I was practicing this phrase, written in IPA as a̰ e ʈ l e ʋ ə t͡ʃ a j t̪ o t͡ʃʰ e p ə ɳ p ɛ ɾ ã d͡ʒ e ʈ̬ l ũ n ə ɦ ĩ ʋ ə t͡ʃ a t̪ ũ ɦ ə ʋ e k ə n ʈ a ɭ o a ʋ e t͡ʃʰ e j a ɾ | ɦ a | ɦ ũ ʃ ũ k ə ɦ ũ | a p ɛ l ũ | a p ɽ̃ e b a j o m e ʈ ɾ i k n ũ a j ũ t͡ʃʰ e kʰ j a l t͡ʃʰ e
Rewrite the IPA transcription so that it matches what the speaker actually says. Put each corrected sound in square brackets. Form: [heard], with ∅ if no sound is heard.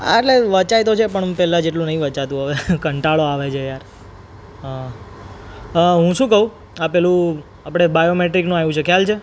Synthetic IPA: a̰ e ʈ l e ʋ ə t͡ʃ a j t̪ o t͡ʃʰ e p ə ɳ p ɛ [l] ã d͡ʒ e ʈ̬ l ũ n ə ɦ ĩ ʋ ə t͡ʃ a t̪ ũ ɦ ə ʋ e k ə [ɳ] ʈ a ɭ o a ʋ e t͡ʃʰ e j a ɾ | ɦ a | ɦ ũ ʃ ũ k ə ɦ ũ | a p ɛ l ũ | a p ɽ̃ e b a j o m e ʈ ɾ i k n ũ a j ũ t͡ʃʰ e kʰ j a l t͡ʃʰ e